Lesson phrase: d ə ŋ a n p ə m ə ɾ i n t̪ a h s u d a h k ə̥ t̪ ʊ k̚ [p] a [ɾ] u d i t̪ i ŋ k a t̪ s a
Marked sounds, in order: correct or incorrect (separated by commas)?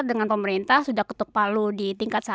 correct, incorrect